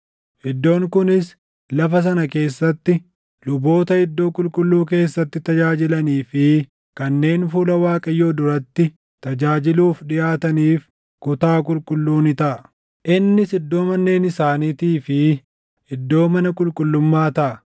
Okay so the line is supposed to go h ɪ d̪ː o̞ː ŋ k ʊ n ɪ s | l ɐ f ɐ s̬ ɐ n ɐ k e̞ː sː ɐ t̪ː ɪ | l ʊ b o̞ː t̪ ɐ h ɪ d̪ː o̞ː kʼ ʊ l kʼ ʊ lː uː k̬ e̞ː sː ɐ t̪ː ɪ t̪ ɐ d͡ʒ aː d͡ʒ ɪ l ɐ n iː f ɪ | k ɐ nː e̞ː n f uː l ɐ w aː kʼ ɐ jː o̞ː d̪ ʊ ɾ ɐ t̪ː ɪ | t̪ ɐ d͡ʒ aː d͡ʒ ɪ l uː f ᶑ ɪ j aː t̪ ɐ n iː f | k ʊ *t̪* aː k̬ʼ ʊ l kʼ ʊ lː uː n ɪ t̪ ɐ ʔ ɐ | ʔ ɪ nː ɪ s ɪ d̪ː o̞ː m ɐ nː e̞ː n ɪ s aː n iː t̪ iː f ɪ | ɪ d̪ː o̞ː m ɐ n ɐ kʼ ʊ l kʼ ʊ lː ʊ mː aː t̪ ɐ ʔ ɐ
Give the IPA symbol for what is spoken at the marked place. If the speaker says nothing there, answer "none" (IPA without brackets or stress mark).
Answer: t̪